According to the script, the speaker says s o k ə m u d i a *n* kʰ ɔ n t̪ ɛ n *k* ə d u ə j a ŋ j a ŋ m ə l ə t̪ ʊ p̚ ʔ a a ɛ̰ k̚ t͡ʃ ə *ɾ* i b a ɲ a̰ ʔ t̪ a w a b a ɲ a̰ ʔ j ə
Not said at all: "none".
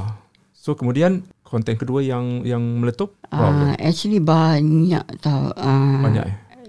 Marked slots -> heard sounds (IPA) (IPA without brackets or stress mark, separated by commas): n, k, l